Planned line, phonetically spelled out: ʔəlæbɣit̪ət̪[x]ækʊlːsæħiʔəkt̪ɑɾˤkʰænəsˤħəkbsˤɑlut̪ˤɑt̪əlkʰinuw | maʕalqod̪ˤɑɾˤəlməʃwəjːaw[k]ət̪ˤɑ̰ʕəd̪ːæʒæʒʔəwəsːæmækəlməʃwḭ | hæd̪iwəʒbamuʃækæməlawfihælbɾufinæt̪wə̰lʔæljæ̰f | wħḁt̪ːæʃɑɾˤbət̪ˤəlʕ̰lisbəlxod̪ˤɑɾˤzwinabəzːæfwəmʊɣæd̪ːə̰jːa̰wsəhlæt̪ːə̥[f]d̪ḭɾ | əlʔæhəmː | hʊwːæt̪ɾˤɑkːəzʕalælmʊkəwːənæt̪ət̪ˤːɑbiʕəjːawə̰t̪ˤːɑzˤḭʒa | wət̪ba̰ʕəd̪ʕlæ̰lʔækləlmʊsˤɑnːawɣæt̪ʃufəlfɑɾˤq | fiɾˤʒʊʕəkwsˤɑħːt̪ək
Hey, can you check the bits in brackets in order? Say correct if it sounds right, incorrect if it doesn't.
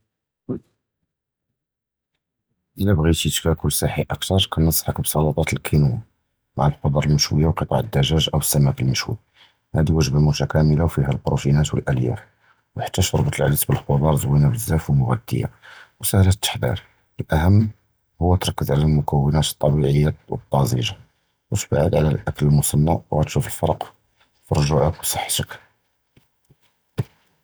incorrect: k, incorrect: q, incorrect: ħ

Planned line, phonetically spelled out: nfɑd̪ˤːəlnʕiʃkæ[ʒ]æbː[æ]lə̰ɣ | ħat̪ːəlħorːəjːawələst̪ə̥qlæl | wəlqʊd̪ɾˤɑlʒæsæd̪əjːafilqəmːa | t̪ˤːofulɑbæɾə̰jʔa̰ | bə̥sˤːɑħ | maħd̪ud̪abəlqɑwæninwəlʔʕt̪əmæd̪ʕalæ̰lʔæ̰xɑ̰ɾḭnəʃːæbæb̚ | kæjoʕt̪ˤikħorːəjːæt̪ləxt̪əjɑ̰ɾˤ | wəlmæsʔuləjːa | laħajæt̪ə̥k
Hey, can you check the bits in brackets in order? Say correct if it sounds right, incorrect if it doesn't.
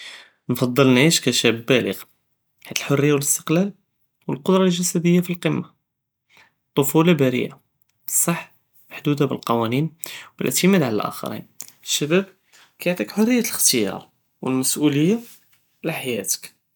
incorrect: ʃ, correct

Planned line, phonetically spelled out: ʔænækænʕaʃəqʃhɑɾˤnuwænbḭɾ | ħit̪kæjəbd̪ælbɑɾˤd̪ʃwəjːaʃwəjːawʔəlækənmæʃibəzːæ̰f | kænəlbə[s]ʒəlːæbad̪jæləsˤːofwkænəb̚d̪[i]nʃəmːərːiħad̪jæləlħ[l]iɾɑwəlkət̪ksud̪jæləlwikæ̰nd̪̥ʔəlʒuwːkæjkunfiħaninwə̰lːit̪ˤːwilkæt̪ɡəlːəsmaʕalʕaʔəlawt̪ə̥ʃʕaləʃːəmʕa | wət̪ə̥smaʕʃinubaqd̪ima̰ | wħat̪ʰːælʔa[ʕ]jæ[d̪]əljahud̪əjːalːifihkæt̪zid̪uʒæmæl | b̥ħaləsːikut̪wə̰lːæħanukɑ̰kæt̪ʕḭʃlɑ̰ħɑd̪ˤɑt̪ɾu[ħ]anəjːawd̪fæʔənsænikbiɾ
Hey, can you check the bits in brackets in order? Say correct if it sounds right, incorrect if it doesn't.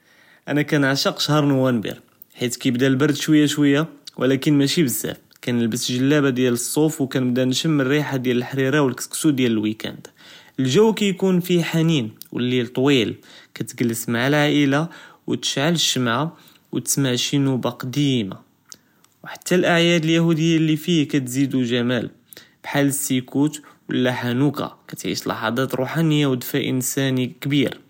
correct, incorrect: æ, incorrect: ɾ, correct, correct, correct

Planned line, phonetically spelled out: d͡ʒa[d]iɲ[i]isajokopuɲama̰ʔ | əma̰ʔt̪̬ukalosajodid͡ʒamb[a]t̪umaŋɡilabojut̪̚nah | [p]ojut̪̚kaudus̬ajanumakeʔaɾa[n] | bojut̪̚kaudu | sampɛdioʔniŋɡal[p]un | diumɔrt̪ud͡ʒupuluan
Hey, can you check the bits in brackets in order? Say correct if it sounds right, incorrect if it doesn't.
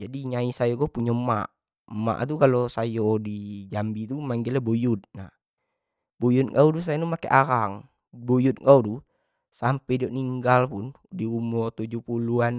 correct, incorrect: a, incorrect: i, incorrect: b, incorrect: ŋ, correct

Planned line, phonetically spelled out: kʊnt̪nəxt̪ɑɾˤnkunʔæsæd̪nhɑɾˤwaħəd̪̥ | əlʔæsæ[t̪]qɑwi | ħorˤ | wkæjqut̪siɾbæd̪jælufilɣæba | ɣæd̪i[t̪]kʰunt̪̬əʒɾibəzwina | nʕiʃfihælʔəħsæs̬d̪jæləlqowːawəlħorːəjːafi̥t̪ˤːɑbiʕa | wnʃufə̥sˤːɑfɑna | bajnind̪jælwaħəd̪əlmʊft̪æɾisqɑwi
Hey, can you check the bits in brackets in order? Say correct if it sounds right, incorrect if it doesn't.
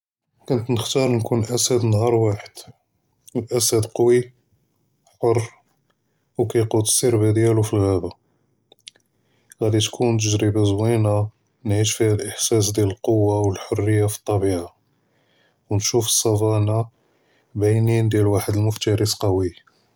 incorrect: d̪, correct

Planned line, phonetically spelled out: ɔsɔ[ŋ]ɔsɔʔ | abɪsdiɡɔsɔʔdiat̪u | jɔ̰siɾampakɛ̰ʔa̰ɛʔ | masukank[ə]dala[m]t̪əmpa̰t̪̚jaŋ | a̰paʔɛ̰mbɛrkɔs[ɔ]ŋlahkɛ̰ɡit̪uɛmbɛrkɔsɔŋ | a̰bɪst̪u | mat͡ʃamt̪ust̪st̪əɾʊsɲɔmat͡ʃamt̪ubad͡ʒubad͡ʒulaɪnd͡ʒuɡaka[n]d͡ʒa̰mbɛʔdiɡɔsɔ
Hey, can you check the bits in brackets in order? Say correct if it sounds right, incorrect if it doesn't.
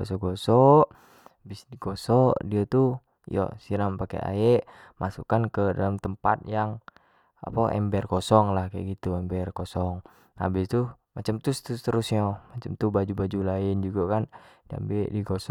incorrect: ɡ, correct, correct, correct, correct

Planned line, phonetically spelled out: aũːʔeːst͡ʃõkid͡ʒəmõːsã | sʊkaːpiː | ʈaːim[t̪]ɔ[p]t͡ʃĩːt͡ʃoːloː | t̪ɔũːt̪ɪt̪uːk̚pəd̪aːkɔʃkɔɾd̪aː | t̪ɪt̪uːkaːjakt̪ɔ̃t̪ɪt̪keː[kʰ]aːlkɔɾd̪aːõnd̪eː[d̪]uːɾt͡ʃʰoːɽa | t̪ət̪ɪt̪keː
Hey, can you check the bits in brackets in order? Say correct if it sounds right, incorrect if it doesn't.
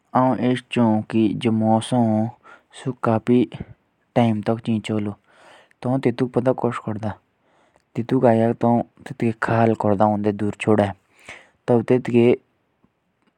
correct, incorrect: k, correct, correct

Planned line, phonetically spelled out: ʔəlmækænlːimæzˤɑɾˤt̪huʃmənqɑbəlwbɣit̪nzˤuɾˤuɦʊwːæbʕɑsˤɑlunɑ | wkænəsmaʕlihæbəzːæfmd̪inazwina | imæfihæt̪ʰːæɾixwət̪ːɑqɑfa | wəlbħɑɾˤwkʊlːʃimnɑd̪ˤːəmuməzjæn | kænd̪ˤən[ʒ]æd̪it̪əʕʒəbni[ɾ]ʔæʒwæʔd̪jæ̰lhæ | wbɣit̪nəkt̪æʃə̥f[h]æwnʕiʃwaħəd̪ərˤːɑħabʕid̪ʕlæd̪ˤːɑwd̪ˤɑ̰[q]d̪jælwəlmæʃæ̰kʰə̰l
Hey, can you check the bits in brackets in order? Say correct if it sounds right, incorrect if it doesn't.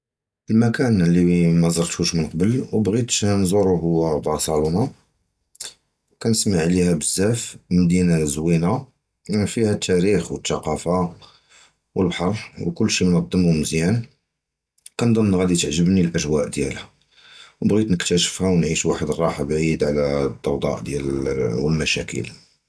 incorrect: ɣ, incorrect: l, correct, incorrect: ʔ

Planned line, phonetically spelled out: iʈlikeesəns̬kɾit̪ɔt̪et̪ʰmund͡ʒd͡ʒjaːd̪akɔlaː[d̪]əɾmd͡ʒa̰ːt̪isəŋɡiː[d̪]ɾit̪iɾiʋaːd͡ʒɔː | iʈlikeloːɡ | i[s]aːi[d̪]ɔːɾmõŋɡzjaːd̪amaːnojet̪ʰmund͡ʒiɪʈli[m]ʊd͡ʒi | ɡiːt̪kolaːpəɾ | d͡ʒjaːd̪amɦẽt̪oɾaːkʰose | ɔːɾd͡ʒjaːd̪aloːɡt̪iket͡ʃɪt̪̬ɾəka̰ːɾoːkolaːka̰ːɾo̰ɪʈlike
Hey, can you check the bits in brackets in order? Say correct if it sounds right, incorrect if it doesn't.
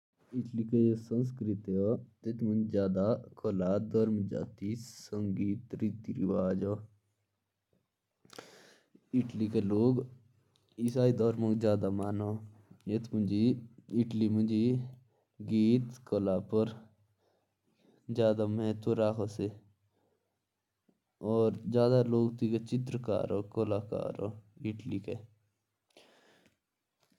correct, incorrect: t̪, correct, correct, correct

